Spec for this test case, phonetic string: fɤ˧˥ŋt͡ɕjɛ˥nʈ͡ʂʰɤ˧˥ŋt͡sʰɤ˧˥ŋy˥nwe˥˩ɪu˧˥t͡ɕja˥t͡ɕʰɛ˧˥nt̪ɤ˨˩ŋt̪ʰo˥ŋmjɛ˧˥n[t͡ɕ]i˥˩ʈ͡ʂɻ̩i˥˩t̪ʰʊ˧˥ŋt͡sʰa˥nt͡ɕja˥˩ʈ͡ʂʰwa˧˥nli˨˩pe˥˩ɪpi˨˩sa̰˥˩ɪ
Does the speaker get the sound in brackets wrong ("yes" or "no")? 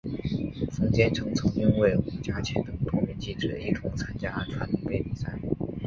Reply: no